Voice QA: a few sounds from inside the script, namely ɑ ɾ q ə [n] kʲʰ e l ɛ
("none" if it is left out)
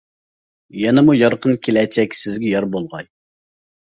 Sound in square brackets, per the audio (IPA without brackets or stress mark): n